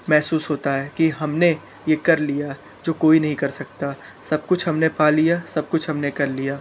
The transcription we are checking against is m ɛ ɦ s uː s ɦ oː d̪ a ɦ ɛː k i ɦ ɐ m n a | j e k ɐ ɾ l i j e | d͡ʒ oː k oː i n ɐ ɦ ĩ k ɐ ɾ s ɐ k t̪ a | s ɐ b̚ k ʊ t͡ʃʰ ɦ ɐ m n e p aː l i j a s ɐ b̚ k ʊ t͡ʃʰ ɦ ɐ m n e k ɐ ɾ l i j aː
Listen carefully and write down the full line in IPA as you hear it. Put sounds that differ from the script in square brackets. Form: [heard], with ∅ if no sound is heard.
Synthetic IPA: m ɛ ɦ s uː s ɦ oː [t̪] a ɦ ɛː k i ɦ ɐ m n [e] | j e k ɐ ɾ l i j [a] | d͡ʒ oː k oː i n ɐ ɦ ĩ k ɐ ɾ s ɐ k t̪ a | s ɐ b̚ k ʊ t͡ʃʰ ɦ ɐ m n e p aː l i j a s ɐ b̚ k ʊ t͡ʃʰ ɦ ɐ m n e k ɐ ɾ l i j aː